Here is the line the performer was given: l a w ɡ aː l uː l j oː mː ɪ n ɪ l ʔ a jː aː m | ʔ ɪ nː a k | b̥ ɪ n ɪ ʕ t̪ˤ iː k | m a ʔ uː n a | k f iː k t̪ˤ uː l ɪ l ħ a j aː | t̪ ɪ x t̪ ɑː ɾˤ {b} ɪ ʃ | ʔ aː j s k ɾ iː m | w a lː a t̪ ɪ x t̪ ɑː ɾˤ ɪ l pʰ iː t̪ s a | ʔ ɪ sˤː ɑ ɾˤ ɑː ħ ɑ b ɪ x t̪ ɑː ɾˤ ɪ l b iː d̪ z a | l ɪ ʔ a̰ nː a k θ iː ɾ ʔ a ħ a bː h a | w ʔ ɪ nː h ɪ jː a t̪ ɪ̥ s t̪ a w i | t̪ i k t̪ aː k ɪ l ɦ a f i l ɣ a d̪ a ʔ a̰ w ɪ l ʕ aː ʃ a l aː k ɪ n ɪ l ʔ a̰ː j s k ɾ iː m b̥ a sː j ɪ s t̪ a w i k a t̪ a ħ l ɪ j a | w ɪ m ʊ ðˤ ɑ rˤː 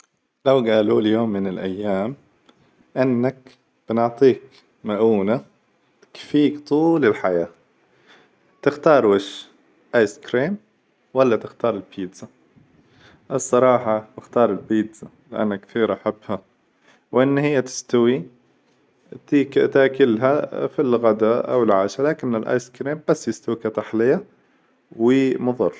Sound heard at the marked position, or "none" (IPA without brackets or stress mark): w